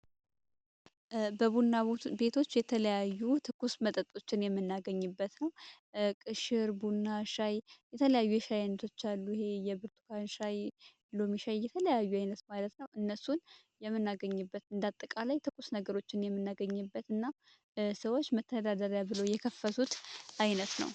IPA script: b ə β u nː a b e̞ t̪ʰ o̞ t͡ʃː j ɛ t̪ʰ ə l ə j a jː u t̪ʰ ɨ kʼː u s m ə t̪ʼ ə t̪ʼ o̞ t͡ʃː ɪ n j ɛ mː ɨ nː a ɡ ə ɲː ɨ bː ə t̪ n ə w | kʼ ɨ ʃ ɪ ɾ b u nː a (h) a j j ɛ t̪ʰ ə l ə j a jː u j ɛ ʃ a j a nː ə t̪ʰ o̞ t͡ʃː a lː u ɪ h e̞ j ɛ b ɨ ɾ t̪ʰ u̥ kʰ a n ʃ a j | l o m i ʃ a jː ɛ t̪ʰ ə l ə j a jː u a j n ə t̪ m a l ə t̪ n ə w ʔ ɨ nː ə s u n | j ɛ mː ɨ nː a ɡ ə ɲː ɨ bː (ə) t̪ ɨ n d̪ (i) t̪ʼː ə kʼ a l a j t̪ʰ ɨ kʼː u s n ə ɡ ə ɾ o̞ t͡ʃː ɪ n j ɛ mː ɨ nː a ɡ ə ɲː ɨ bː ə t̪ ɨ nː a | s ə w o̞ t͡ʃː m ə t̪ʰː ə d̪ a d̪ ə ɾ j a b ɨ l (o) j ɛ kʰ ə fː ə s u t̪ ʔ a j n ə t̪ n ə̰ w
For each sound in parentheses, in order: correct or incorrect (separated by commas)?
incorrect, correct, incorrect, correct